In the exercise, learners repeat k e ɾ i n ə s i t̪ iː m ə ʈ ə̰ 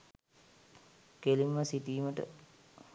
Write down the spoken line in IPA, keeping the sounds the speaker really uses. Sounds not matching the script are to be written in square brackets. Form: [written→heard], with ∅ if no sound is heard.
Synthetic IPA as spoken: k e [ɾ→l] i [n→m] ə s i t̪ iː m ə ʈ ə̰